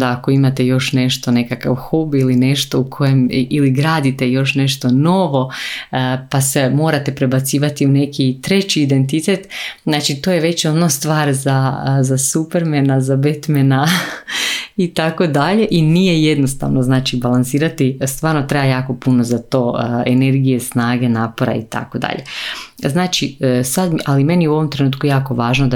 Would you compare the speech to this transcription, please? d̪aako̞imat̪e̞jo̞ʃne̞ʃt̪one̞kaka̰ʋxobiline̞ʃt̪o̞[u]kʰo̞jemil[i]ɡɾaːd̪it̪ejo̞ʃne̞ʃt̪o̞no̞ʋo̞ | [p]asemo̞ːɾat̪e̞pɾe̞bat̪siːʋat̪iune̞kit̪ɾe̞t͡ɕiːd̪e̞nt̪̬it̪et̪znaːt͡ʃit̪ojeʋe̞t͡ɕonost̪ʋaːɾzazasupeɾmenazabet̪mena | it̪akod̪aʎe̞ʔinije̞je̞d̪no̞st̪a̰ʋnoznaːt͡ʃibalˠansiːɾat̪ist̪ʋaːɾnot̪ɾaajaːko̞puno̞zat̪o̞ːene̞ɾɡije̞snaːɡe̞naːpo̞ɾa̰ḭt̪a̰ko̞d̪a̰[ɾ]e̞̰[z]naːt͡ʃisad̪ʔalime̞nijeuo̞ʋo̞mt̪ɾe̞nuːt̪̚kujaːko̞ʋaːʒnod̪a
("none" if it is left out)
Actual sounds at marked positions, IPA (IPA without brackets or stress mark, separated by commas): u, i, p, ʎ, z